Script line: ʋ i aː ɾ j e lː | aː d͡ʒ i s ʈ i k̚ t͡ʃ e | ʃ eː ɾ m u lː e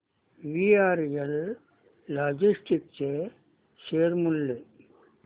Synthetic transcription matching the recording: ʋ i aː ɾ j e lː | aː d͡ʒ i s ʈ i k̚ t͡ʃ e | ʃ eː ɾ m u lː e

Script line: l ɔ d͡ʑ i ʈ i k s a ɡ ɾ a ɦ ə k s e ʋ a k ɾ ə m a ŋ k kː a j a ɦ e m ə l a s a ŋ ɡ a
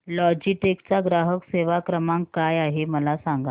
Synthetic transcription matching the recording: l ɔ d͡ʑ i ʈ e k t͡s a ɡ ɾ a ɦ ə k s e ʋ a k ɾ ə m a ŋ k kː a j a ɦ e m ə l a s a ŋ ɡ a

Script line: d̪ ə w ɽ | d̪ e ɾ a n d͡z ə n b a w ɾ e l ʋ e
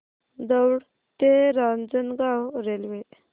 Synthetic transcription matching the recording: d̪ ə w ɽ | t̪ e ɾ a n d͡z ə n ɡ a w ɾ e l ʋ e

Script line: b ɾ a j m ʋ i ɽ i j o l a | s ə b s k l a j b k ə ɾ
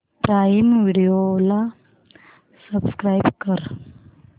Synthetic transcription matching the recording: p ɾ a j m ʋ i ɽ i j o l a | s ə b s k ɾ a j b k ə ɾ

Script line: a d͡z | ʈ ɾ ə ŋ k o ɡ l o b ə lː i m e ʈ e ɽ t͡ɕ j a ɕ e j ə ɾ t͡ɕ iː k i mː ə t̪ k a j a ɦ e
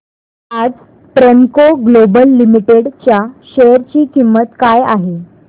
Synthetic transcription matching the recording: a d͡z | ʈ ɾ ə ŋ k o ɡ l o b ə lː i m i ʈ e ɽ t͡ɕ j a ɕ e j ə ɾ t͡ɕ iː k i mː ə t̪ k a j a ɦ e

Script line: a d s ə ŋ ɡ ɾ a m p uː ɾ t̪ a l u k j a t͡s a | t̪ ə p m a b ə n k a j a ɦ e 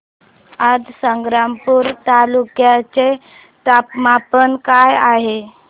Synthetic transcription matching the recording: a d s ə ŋ ɡ ɾ a m p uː ɾ t̪ a l u k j a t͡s e | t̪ a p m a p ə n k a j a ɦ e

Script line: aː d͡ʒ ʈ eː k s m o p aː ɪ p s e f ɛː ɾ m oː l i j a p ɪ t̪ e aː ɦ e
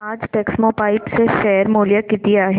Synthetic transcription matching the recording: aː d͡ʒ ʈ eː k s m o p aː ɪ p s e ʃ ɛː ɾ m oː l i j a k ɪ t̪ i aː ɦ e

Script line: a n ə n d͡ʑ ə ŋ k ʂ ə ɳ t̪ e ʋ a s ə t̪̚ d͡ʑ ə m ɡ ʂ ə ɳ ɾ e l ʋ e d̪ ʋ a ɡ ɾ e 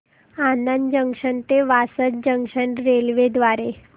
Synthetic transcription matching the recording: a n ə n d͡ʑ ə ŋ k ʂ ə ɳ t̪ e ʋ a s ə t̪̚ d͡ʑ ə ŋ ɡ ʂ ə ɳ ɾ e l ʋ e d̪ ʋ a ɾ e

